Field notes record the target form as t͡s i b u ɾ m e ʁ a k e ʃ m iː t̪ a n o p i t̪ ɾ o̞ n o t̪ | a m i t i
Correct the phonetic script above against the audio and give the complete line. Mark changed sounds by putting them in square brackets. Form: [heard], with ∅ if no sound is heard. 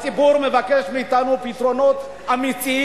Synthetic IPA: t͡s i b u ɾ m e [v] a k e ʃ m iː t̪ a n [u] p i t̪ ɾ o̞ n o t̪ | a m i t i